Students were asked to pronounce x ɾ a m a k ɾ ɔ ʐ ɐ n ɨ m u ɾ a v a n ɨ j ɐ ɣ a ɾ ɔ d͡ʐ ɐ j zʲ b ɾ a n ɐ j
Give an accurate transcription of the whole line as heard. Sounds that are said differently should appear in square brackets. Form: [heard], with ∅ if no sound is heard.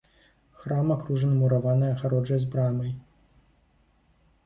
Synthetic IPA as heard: x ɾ a m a k ɾ [u] ʐ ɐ n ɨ m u ɾ a v a n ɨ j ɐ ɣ a ɾ ɔ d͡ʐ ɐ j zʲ b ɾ a [m] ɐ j